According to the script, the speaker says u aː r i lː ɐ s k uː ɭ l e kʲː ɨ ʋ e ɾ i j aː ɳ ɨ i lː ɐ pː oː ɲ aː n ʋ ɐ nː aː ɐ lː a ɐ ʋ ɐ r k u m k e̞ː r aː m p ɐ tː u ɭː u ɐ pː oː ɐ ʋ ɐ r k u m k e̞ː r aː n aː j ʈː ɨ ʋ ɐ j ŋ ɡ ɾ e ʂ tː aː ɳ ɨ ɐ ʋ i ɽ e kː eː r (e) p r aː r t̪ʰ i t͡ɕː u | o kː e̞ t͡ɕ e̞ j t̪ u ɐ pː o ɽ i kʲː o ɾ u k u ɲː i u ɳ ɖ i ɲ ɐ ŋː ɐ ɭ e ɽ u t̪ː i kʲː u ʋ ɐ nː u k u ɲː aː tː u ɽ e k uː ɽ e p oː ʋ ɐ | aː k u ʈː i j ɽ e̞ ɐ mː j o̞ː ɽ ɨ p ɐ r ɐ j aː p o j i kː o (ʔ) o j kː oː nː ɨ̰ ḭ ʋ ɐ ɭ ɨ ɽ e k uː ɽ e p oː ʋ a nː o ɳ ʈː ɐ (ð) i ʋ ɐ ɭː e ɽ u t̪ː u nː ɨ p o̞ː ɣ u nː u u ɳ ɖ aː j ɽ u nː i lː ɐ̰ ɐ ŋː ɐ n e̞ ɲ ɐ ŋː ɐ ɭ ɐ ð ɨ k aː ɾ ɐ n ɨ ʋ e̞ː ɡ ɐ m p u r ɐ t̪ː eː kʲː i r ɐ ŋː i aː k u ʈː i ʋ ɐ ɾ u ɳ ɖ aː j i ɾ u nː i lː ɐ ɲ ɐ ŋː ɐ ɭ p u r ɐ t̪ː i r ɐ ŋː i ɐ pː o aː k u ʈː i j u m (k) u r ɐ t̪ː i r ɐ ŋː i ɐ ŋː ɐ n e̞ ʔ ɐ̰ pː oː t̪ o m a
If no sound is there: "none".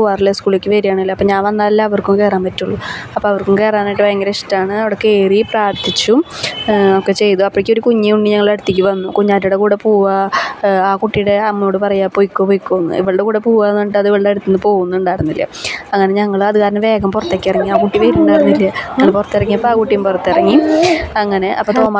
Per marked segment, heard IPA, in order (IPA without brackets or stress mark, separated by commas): i, p, ð, p